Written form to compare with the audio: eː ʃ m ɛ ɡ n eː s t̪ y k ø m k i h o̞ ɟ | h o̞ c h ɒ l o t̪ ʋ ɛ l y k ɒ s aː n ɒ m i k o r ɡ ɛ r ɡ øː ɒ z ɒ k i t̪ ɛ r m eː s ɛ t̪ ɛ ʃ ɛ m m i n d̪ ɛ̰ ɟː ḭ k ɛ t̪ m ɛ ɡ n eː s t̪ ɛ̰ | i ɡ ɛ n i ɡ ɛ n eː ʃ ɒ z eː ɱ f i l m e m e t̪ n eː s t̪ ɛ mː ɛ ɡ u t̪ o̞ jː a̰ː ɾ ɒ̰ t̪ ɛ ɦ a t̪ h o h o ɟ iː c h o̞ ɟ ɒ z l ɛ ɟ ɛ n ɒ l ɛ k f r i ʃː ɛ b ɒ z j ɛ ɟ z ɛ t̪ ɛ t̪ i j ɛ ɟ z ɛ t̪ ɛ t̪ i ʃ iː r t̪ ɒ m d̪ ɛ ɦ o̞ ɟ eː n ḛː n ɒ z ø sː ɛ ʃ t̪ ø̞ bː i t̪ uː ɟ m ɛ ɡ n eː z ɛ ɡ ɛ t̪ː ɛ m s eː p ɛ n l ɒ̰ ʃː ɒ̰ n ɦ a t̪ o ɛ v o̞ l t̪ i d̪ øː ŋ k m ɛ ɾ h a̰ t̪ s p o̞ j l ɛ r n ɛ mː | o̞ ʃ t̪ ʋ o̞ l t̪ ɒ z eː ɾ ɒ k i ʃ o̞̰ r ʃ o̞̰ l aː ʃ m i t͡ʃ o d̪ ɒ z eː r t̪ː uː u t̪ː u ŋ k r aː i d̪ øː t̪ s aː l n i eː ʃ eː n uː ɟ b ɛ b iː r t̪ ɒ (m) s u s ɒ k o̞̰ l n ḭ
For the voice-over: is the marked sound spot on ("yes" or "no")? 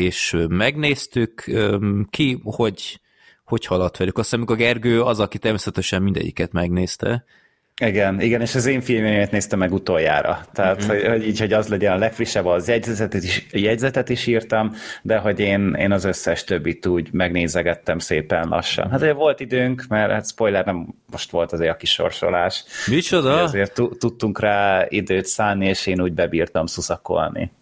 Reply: yes